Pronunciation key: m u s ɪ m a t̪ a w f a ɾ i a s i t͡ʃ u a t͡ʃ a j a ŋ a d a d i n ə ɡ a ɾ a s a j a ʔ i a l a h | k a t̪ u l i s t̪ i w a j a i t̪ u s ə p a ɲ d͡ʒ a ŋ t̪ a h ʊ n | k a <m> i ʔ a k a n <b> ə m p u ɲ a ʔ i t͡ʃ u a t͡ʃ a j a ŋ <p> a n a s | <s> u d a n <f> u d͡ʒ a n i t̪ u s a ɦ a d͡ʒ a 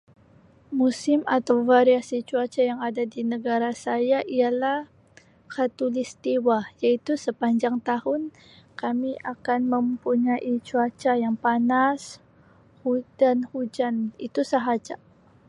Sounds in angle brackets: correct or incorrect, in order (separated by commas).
correct, incorrect, correct, incorrect, incorrect